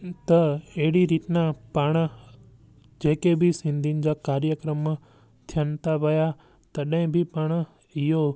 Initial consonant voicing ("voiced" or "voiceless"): voiceless